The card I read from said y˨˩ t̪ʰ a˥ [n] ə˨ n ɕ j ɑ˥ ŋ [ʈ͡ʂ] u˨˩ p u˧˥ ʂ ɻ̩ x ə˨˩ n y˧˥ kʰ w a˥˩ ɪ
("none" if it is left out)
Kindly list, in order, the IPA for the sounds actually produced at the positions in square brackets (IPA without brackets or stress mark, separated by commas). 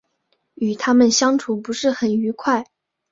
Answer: m, ʈ͡ʂʰ